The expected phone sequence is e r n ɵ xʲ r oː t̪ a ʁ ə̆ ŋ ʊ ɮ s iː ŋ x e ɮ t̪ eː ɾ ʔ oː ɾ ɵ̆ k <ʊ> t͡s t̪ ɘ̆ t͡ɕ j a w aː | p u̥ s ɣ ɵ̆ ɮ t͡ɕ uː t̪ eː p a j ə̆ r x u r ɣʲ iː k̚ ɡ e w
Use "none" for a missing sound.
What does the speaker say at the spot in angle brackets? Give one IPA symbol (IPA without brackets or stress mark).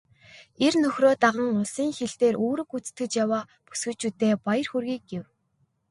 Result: u